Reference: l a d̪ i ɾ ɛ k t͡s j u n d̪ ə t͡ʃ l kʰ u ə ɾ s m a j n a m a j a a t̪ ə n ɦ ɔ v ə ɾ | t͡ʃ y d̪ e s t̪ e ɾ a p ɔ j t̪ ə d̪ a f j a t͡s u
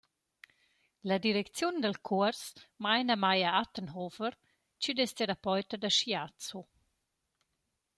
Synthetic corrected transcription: l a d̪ i ɾ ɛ k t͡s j u n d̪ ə l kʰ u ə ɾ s m a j n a m a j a a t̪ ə n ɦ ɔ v ə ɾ | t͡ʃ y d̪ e s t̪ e ɾ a p ɔ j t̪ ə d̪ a ʃ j a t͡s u